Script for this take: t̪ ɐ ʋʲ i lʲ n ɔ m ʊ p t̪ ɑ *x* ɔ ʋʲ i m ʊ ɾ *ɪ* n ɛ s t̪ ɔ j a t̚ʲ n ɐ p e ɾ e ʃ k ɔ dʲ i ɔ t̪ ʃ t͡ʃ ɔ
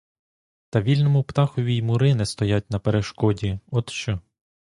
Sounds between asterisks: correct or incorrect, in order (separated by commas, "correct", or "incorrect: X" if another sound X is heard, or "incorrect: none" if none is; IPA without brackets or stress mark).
correct, correct